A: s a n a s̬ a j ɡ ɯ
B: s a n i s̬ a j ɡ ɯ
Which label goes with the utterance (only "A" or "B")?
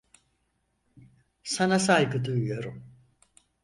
A